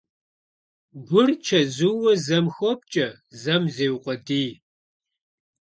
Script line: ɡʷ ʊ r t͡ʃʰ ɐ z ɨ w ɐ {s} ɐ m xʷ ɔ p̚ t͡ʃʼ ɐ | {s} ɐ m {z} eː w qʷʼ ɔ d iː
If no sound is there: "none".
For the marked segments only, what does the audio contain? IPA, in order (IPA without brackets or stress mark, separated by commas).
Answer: z, z, z